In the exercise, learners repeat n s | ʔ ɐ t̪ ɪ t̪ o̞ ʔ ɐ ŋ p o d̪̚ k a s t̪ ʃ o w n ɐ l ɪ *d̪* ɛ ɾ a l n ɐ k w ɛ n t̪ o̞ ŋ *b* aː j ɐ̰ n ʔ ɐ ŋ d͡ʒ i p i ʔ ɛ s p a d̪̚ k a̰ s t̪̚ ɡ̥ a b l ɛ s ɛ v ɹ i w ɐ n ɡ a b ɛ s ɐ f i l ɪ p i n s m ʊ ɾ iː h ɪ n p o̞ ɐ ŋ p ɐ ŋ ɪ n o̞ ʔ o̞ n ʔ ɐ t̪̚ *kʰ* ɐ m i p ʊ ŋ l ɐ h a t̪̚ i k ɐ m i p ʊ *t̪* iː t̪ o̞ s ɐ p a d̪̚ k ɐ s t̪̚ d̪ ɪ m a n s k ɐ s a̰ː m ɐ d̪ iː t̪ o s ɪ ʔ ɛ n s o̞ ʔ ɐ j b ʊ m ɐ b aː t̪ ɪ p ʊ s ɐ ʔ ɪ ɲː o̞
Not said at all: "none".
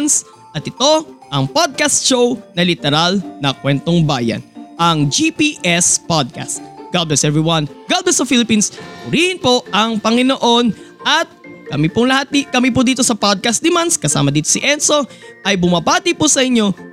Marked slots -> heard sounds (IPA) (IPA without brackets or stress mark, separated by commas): t̪, b, k, d̪